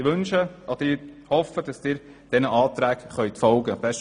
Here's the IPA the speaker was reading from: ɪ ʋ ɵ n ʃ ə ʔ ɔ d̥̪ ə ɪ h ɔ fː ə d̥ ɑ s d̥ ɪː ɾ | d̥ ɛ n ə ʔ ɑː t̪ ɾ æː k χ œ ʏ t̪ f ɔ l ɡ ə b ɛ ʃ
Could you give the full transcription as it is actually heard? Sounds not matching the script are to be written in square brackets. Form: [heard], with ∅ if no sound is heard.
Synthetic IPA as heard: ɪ ʋ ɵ n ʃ ə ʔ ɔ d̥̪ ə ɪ h ɔ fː ə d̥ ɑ s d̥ ɪː ɾ | d̥ ɛ n ə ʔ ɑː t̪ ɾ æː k χ œ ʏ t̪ f ɔ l ɡ ə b ɛ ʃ

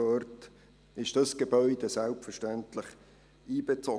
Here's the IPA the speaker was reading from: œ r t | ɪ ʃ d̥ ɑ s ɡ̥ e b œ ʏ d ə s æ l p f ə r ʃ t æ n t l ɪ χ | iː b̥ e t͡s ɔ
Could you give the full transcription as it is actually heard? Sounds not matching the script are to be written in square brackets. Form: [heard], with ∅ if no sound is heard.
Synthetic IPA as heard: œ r t | ɪ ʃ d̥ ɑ s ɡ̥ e b œ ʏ d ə s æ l p f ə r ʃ t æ n t l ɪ χ | iː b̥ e t͡s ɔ

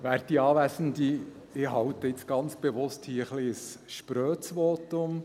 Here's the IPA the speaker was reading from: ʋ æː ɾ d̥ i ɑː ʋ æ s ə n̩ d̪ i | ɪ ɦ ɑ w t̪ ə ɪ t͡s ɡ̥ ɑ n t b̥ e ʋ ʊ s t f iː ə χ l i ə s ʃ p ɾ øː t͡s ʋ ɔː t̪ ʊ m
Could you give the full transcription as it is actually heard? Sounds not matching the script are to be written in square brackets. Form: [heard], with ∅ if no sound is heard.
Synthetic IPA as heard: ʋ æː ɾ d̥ i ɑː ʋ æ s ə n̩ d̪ i | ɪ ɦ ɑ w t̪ ə ɪ t͡s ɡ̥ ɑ n [t͡s] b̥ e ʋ ʊ s t [h] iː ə χ l i ə s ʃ p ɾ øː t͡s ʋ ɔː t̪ ʊ m

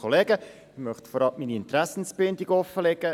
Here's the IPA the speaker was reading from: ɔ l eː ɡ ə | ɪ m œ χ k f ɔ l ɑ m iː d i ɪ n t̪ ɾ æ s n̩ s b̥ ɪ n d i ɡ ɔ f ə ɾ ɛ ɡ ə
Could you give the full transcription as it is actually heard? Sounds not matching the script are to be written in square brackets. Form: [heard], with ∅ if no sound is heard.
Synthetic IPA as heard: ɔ l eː ɡ ə | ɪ m œ χ [t] f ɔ [ɾ] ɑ m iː [n] i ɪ n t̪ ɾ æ s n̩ s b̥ ɪ n d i ɡ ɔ f ə [l] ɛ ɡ ə

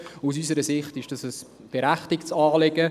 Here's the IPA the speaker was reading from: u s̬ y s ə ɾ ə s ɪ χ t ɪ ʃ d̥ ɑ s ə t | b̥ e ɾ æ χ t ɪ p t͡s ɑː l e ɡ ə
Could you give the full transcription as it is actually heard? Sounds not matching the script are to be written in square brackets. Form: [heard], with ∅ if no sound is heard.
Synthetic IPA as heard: u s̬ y s ə ɾ ə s ɪ χ t ɪ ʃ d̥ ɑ s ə [s] | b̥ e ɾ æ χ t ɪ [k] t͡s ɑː l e ɡ ə

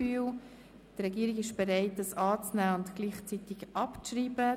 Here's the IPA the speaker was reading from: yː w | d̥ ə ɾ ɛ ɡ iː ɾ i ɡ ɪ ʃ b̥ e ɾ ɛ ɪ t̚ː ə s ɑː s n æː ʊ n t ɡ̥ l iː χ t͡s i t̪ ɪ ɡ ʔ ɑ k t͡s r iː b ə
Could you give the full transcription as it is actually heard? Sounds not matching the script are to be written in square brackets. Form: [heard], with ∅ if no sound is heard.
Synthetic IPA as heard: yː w | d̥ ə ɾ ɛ ɡ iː ɾ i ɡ ɪ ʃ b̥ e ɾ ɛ ɪ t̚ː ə s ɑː [t͡s] n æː ʊ n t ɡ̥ l iː χ t͡s i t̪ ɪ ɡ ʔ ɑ [p] t͡s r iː b ə

